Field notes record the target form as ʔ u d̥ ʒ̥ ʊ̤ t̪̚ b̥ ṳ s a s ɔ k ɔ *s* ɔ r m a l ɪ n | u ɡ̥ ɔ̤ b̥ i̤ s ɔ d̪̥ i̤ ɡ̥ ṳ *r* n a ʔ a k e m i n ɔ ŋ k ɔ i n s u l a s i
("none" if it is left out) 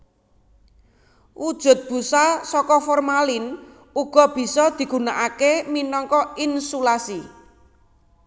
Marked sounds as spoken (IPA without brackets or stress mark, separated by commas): f, none